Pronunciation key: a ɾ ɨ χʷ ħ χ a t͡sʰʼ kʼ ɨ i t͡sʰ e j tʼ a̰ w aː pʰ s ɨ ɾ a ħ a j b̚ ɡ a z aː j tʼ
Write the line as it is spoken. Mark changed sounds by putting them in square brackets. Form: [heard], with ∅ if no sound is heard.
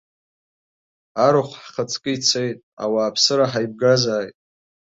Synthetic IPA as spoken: a ɾ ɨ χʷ ħ χ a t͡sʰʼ kʼ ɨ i t͡sʰ e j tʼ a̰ w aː pʰ s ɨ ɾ a ħ a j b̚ ɡ a z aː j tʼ